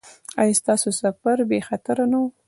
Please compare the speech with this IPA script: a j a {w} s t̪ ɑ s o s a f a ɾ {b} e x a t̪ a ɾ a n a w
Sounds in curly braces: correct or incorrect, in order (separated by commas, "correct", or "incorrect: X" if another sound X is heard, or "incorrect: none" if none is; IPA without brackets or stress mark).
incorrect: none, correct